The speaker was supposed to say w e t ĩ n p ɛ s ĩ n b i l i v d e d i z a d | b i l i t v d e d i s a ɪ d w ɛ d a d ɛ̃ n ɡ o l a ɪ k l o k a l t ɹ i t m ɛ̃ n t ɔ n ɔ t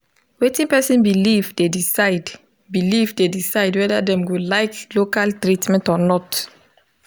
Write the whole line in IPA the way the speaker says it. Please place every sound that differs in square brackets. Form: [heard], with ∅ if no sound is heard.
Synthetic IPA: w e t ĩ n p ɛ s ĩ n b i l i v d e d i [s] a d | b i l i [∅] v d e d i s a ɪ d w ɛ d a d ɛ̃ [m] ɡ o l a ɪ k l o k a l t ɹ i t m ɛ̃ n t ɔ n ɔ t